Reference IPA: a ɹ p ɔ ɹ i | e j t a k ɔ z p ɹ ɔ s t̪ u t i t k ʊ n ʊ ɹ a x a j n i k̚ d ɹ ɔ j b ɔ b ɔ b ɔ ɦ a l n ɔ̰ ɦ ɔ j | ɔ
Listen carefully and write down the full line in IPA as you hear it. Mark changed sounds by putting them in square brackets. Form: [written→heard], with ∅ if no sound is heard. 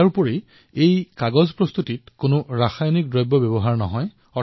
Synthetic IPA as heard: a ɹ p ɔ ɹ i | e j [t→k] a [k→ɡ] ɔ z p ɹ ɔ s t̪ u t i t k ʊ n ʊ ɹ a x a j n i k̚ d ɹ ɔ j b ɔ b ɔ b ɔ ɦ a [l→ɹ] n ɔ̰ ɦ ɔ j | ɔ